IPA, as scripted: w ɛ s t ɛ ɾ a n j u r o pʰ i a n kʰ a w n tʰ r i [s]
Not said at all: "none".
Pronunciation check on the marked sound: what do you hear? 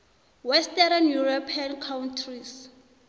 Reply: s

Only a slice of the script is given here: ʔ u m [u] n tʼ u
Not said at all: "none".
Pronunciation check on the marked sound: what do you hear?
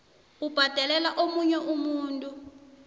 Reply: uː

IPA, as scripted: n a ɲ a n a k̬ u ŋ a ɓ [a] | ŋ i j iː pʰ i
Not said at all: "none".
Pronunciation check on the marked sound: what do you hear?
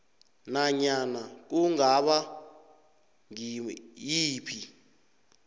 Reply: a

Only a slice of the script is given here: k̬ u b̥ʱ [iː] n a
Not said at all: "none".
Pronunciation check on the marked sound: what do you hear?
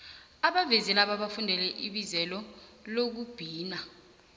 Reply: iː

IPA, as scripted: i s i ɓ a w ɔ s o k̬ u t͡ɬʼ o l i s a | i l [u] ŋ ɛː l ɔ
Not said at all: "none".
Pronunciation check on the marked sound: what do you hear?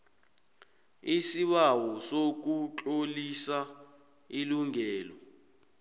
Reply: u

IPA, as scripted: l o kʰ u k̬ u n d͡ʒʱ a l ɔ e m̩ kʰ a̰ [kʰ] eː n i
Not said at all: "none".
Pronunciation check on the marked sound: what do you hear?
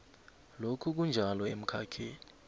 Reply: kʰ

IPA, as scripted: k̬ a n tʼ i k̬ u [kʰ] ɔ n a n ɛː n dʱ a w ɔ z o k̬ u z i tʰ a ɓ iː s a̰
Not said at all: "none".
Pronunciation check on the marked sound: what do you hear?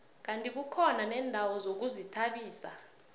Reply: kʰ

